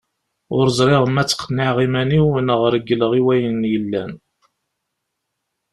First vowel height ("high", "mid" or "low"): high